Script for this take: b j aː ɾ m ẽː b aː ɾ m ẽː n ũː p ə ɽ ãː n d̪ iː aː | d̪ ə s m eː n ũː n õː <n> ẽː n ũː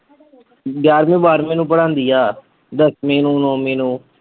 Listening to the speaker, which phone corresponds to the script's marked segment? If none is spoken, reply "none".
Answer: m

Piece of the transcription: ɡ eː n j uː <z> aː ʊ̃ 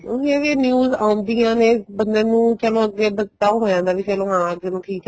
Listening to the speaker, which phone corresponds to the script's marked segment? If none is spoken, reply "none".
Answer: z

